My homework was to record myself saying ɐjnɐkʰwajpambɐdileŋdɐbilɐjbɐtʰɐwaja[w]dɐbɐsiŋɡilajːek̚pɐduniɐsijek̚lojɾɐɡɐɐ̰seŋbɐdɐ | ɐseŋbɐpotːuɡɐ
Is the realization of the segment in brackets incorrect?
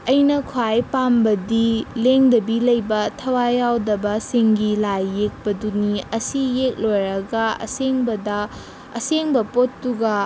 no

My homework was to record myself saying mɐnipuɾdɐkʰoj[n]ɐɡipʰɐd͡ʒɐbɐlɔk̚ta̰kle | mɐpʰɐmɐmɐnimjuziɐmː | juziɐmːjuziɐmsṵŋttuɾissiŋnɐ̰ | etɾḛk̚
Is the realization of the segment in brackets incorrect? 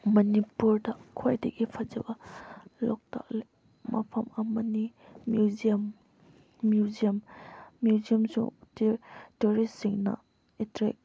yes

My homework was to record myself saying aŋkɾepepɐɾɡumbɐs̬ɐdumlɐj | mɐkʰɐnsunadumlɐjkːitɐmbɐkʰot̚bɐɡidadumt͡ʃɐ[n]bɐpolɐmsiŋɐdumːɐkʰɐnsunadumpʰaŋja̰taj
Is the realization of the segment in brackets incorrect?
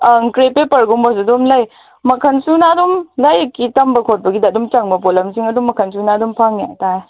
yes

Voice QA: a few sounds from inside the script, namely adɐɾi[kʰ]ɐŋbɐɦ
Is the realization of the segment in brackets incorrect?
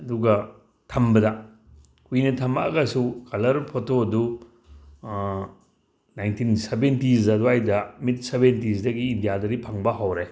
yes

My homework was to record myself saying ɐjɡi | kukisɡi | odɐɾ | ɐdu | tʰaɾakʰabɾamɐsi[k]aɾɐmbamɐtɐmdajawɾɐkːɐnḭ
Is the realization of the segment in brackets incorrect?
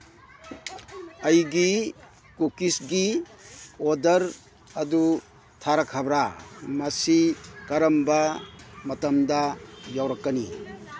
no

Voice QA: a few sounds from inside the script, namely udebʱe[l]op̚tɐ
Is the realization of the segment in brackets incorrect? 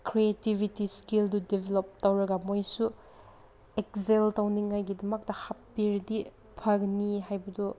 no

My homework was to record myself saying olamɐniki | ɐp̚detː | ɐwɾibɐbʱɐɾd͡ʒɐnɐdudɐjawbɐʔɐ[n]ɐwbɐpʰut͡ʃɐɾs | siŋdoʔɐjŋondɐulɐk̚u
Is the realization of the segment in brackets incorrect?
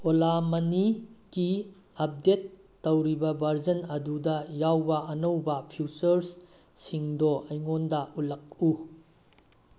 no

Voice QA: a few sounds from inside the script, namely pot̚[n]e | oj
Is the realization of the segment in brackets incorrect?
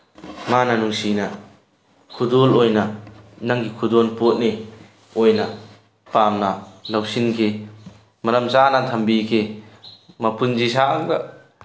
no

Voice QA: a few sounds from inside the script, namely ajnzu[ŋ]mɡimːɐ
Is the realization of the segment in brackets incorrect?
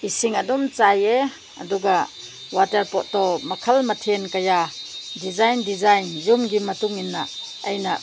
yes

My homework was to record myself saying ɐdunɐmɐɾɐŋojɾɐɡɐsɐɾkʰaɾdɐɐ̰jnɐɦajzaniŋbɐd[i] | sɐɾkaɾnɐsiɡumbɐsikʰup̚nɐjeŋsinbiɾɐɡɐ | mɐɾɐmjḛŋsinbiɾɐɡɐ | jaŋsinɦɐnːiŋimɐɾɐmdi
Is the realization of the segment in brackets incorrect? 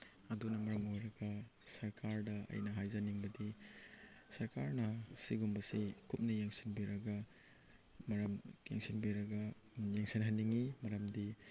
no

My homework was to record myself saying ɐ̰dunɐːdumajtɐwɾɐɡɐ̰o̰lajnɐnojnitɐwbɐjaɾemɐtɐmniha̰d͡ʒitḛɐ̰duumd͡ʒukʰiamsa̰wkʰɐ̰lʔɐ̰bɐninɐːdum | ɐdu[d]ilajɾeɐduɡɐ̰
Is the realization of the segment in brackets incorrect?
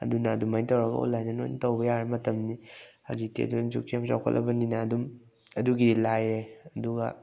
yes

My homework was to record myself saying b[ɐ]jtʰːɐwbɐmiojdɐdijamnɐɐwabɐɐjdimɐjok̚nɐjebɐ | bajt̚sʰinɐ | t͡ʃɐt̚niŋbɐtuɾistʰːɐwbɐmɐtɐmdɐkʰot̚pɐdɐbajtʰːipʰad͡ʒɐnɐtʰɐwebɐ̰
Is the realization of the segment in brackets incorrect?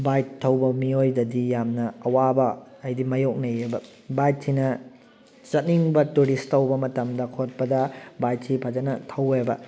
yes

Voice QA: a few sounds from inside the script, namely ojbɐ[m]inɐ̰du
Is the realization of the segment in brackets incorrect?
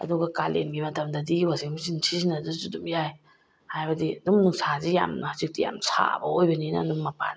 yes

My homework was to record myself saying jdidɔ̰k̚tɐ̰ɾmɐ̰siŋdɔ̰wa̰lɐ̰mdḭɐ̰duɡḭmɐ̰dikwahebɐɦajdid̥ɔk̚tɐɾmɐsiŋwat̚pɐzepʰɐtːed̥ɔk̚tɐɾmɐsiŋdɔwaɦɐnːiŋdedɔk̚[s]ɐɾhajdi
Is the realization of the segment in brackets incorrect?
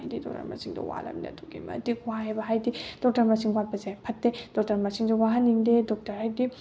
yes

